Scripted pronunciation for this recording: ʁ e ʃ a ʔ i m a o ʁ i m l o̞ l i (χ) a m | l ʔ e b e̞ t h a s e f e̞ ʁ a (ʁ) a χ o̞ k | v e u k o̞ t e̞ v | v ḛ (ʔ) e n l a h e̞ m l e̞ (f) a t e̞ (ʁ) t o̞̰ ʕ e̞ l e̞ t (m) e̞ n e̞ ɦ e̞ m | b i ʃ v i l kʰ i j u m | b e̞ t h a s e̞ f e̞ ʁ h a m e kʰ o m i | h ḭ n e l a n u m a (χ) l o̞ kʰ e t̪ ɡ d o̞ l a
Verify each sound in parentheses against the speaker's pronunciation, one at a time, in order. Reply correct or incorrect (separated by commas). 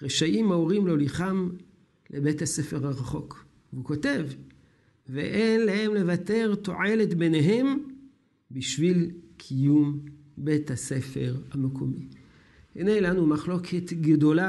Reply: correct, correct, correct, incorrect, correct, incorrect, correct